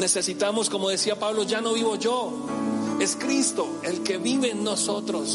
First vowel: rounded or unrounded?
unrounded